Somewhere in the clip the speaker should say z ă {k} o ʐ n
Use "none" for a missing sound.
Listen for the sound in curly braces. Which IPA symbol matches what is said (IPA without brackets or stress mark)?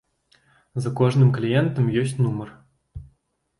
k